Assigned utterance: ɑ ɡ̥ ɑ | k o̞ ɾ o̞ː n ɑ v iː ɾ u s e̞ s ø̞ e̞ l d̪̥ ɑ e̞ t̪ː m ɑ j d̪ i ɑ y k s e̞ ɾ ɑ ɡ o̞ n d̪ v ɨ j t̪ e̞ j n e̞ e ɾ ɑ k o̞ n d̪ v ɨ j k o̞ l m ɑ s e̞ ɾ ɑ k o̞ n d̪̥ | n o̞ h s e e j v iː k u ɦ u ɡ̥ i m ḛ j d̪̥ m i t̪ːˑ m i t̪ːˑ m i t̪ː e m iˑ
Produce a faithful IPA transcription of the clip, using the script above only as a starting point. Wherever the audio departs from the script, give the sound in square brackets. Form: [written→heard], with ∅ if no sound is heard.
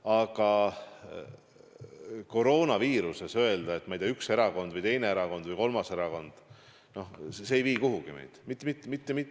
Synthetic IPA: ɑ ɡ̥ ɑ | k o̞ ɾ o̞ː n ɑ v iː ɾ u s e̞ s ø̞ e̞ l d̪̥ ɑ e̞ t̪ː m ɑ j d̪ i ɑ y k s e̞ ɾ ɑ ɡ o̞ n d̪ v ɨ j t̪ e̞ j n e̞ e ɾ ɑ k o̞ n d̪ v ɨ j k o̞ l m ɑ s e̞ ɾ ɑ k o̞ n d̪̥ | n o̞ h s e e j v iː k u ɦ u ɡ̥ i m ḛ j d̪̥ m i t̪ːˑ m i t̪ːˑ m i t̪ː e m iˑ